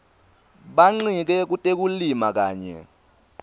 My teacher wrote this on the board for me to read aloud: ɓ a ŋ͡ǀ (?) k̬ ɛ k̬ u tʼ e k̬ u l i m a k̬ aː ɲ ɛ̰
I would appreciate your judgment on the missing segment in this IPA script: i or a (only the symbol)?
i